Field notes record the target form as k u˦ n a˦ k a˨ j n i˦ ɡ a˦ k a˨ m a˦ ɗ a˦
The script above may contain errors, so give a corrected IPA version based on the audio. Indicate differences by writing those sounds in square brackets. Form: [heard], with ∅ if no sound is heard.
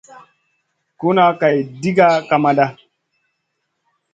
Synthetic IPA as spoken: k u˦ n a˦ k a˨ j [d] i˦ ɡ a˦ k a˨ m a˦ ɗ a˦